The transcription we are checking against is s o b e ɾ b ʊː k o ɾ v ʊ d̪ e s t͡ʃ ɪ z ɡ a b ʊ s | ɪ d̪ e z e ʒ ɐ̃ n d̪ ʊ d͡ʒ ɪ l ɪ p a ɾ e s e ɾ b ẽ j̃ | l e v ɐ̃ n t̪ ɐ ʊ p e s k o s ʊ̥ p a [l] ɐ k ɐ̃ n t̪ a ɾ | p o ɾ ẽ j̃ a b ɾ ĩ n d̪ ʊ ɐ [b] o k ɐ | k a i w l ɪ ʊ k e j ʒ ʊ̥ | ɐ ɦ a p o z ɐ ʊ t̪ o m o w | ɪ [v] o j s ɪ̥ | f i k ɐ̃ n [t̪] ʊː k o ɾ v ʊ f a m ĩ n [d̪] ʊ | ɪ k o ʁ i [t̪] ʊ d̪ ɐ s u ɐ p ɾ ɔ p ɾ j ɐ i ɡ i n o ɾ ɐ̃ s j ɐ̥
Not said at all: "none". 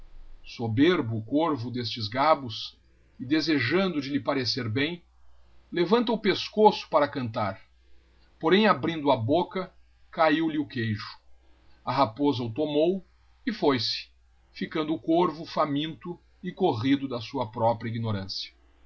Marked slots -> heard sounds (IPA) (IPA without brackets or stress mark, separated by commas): ɾ, b, f, d̪, t̪, d̪